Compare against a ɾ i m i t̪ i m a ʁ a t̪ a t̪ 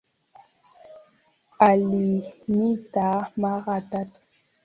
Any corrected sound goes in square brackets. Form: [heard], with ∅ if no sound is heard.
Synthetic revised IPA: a [l] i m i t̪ [a] m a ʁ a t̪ a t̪